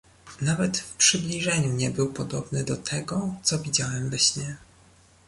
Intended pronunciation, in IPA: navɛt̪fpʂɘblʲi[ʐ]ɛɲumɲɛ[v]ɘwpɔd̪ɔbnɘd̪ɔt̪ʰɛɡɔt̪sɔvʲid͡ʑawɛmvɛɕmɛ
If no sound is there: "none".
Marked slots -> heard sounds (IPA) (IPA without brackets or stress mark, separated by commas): ʐ, b